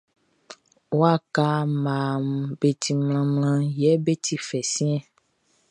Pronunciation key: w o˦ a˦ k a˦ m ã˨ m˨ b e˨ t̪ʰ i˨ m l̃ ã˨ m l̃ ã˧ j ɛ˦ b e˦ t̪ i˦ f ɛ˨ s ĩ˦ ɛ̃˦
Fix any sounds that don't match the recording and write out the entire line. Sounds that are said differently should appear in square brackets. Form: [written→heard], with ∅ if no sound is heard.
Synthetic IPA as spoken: w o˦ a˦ k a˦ m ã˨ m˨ b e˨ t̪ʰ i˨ m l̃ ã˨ m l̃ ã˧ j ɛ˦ b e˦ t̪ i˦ f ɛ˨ s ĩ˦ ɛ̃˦